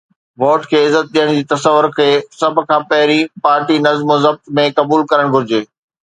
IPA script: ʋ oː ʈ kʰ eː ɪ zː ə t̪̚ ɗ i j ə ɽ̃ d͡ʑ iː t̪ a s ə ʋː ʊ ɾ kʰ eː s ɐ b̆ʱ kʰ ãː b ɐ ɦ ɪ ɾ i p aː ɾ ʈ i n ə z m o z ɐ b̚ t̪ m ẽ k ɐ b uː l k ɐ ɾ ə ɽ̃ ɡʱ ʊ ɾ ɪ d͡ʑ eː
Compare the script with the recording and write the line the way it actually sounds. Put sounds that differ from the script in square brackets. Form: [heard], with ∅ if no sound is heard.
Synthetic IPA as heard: ʋ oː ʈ kʰ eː ɪ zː ə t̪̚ ɗ i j ə ɽ̃ d͡ʑ iː t̪ [ɐ] s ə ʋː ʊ ɾ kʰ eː s ɐ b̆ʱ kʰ ãː [p] ɐ ɦ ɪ ɾ i p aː ɾ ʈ i n [ɐ] z m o z ɐ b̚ t̪ m ẽ k ɐ b uː l k ɐ ɾ ə ɽ̃ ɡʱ ʊ ɾ ɪ d͡ʑ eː

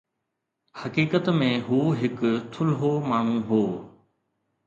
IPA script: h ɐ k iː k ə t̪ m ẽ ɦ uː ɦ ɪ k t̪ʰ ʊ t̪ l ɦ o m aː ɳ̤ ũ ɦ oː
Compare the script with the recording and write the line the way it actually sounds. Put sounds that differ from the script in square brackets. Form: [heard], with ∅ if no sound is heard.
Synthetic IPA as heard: h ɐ k iː k ə t̪ m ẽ ɦ uː ɦ ɪ k t̪ʰ ʊ [∅] l ɦ o m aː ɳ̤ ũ ɦ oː

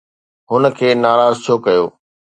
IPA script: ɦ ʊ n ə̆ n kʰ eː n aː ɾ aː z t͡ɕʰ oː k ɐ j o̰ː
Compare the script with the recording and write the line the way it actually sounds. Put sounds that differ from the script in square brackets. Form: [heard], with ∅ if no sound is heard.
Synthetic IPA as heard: ɦ ʊ n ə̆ [∅] kʰ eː n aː ɾ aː z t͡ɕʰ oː k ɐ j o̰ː

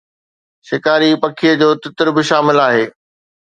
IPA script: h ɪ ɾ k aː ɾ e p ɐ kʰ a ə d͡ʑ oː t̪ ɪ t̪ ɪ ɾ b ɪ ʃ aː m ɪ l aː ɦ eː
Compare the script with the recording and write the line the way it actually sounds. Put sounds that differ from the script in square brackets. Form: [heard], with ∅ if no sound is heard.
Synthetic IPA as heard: [ʃ] ɪ [∅] k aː ɾ [i] p ɐ kʰ [i] ə d͡ʑ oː t̪ ɪ t̪ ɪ ɾ b ɪ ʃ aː m ɪ l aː ɦ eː

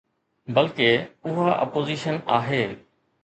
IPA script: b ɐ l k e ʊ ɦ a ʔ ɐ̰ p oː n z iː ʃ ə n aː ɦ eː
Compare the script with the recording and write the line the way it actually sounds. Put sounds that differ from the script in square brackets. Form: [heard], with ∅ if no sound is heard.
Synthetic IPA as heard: b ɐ l k e ʊ ɦ a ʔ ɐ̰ p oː [∅] z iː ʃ ə n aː ɦ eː

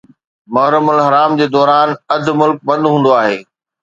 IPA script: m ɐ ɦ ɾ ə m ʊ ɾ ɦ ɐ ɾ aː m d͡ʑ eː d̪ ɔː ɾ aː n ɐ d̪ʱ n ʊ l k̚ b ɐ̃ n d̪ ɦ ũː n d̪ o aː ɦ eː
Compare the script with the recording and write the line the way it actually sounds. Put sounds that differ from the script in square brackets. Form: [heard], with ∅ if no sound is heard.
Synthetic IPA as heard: m ɐ ɦ ɾ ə m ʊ [l] ɦ ɐ ɾ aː m d͡ʑ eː d̪ ɔː ɾ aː n ɐ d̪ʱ [m] ʊ l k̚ b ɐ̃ n d̪ ɦ ũː n d̪ o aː ɦ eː

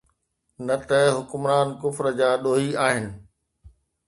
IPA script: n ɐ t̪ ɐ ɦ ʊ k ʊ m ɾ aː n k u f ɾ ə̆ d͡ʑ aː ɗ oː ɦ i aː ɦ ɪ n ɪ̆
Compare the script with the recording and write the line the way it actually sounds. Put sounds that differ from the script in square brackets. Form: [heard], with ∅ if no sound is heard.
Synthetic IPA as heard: n ɐ t̪ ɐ ɦ ʊ k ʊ m ɾ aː n k [ʊ] f ɾ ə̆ d͡ʑ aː ɗ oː ɦ i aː ɦ ɪ n ɪ̆

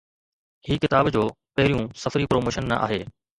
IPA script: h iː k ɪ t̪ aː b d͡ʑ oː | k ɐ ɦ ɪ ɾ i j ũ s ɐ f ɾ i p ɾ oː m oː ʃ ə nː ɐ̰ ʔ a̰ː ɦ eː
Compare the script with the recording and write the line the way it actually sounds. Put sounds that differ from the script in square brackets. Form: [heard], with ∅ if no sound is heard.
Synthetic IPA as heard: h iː k ɪ t̪ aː b d͡ʑ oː | [p] ɐ ɦ ɪ ɾ i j ũ s ɐ f ɾ i p ɾ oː m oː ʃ ə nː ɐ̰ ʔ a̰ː ɦ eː

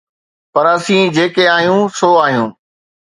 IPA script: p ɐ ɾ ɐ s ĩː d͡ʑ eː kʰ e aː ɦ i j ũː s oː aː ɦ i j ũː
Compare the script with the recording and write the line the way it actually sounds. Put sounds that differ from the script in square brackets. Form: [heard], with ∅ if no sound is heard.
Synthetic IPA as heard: p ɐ ɾ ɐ s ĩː d͡ʑ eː [k] e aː ɦ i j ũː s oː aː ɦ i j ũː

